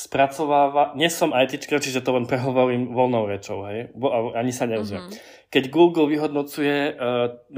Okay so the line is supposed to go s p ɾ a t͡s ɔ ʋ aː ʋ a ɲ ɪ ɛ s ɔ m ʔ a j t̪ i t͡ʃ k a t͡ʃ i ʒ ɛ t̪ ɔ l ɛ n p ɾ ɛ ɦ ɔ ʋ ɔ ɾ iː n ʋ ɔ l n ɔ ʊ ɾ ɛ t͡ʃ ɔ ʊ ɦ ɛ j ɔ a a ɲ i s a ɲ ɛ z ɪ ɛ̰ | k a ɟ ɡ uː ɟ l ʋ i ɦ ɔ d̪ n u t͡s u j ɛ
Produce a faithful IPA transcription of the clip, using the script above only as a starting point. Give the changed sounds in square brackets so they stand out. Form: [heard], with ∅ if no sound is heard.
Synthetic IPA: s p ɾ a t͡s ɔ ʋ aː ʋ a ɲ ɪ ɛ s ɔ m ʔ a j t̪ i t͡ʃ k a t͡ʃ i ʒ ɛ t̪ ɔ l ɛ n p ɾ ɛ ɦ ɔ ʋ ɔ ɾ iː [m] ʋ ɔ l n ɔ ʊ ɾ ɛ t͡ʃ ɔ ʊ ɦ ɛ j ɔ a a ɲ i s a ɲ ɛ z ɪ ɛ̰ | k [ɛ] ɟ ɡ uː [ɡ] l ʋ i ɦ ɔ d̪ n [ɔ] t͡s u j ɛ